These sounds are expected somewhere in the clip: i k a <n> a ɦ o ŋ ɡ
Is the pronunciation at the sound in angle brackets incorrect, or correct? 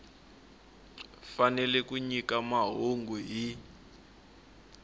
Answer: incorrect